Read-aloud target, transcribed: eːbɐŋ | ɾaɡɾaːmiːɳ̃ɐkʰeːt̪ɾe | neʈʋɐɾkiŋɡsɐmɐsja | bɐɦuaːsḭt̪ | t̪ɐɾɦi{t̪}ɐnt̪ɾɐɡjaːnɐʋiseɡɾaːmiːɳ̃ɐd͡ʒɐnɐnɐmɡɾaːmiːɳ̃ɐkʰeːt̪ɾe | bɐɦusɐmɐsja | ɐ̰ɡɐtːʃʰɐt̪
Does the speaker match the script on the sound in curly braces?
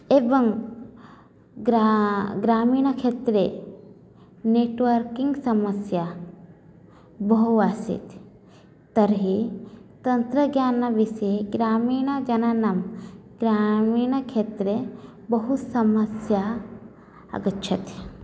yes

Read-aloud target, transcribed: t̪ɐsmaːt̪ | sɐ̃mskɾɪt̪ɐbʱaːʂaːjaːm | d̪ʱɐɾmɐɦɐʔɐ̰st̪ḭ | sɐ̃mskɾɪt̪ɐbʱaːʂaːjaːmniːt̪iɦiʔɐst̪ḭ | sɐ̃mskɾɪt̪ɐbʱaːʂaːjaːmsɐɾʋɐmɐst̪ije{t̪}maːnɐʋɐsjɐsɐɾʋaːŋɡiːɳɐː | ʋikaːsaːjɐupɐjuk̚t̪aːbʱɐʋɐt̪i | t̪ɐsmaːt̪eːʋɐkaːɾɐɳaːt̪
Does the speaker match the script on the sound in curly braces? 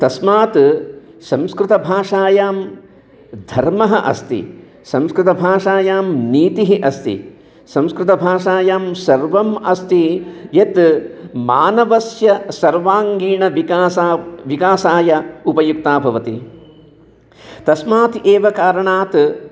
yes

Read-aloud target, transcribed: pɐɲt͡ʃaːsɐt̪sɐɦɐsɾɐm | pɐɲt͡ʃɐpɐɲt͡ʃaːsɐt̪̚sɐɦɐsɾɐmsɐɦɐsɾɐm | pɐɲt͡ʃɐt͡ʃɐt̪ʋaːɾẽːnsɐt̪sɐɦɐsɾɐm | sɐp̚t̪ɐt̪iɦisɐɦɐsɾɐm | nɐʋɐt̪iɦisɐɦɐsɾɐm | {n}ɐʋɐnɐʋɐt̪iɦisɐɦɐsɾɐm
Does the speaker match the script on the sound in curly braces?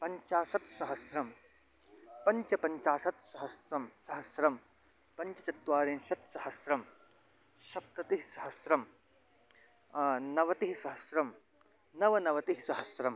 yes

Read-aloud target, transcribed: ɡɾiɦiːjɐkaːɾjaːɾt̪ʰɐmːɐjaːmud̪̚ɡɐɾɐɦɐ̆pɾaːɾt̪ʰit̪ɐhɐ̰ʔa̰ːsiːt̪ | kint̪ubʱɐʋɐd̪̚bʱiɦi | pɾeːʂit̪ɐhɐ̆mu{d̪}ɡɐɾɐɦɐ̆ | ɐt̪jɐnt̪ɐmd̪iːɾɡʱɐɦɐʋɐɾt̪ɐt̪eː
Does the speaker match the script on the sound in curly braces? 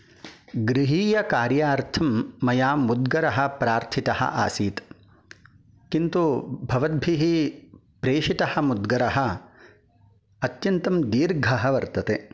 yes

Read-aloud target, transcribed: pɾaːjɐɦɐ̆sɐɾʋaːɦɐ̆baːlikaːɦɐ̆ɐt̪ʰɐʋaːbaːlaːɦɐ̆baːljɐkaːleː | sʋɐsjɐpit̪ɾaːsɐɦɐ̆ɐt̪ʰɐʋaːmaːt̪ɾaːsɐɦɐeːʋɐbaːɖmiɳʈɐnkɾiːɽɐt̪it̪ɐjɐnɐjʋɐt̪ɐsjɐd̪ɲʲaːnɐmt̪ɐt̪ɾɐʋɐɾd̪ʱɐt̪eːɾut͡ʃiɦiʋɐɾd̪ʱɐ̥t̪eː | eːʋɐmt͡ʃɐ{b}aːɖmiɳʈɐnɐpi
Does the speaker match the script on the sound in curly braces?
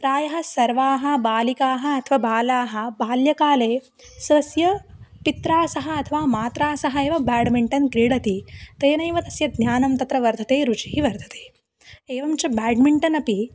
yes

